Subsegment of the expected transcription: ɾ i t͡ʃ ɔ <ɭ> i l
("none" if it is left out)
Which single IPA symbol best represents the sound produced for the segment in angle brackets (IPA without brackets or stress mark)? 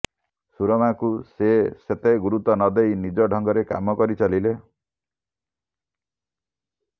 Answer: l